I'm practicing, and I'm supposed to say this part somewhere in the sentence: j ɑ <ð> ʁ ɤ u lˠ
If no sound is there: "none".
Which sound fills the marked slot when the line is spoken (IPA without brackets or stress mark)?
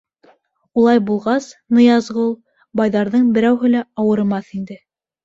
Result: z